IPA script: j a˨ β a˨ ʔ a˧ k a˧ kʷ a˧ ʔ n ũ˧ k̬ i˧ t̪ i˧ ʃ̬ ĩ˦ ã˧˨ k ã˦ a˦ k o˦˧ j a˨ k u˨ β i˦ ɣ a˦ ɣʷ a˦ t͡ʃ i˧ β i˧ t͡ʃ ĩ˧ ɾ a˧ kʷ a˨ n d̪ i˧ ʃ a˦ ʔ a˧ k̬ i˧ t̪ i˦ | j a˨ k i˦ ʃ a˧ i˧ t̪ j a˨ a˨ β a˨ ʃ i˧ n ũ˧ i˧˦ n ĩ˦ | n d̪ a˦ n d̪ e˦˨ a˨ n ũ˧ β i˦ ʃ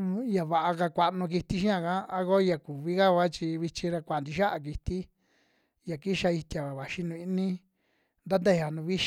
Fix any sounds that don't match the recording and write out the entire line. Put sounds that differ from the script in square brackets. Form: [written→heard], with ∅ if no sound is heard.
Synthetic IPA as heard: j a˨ β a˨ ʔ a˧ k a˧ kʷ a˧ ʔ n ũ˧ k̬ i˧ t̪ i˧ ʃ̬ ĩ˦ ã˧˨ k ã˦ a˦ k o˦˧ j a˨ k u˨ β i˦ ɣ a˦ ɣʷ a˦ t͡ʃ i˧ β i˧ t͡ʃ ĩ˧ ɾ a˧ kʷ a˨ n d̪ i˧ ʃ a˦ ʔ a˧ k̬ i˧ t̪ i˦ | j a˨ k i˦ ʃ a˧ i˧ t̪ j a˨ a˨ β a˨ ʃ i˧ n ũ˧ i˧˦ n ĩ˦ | n d̪ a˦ n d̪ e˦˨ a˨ n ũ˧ β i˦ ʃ